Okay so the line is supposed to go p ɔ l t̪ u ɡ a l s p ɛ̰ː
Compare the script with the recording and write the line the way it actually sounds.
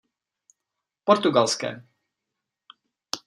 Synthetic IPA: p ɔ ɾ t̪ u ɡ a l s k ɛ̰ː